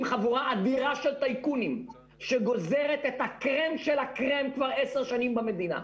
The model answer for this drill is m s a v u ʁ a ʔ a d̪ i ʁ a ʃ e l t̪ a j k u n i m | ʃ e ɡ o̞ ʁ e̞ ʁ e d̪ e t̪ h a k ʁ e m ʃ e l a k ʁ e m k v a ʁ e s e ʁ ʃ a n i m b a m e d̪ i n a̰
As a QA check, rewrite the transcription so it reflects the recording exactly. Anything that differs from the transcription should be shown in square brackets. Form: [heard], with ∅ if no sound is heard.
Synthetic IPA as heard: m [χ] a v u ʁ a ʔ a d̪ i ʁ a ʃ e l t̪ a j k u n i m | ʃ e ɡ o̞ [z] e̞ ʁ e [t̪] e t̪ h a k ʁ e m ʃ e l a k ʁ e m k v a ʁ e s e ʁ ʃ a n i m b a m e d̪ i n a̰